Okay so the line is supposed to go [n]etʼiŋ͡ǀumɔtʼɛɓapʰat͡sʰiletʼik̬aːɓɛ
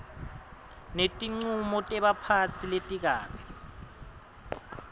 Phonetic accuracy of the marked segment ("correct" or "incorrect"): correct